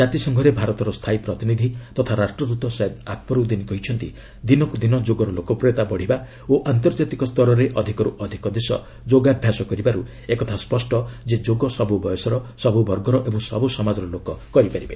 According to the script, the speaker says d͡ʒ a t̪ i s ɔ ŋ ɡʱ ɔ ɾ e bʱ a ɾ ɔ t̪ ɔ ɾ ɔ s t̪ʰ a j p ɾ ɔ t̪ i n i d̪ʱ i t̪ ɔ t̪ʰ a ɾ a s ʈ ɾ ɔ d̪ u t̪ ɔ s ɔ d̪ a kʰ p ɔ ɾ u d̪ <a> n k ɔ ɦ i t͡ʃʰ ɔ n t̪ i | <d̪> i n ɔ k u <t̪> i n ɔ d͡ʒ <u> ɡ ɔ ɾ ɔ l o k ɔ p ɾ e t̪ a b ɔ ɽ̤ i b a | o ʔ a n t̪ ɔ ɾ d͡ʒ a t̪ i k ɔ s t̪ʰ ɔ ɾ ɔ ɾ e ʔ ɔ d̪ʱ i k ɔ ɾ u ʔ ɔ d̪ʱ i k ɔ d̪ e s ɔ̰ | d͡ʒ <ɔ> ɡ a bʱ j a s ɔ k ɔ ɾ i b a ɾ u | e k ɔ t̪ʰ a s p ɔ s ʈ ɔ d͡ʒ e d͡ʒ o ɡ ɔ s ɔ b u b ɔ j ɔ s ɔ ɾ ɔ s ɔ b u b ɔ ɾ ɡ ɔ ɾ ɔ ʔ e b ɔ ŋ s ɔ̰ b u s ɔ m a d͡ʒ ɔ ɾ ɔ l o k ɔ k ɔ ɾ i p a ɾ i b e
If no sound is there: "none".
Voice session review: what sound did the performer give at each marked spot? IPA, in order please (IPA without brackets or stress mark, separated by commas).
i, d̪, d̪, o, o